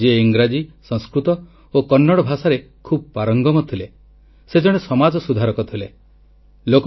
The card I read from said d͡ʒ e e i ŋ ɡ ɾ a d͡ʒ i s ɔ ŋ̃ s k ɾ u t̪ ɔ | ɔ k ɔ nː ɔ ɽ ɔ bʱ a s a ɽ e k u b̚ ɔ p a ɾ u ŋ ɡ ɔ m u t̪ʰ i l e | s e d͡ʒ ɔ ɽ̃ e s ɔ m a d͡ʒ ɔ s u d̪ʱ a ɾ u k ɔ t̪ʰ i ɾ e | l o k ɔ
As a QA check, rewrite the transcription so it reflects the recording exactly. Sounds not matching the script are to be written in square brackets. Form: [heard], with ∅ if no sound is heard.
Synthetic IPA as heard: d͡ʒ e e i ŋ ɡ ɾ a d͡ʒ i s ɔ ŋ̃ s k ɾ u t̪ ɔ | [o] k ɔ nː ɔ ɽ ɔ bʱ a s a [ɾ] e [kʰ] u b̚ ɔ p a ɾ [ɔ] ŋ ɡ ɔ m [ɔ] t̪ʰ i l e | s e d͡ʒ ɔ ɽ̃ e s ɔ m a d͡ʒ ɔ s u d̪ʱ a ɾ [ɔ] k ɔ t̪ʰ i [l] e | l o k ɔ